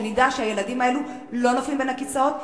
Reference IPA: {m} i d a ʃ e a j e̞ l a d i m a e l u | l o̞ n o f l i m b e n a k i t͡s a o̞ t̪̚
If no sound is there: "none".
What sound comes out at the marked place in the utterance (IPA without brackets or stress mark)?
n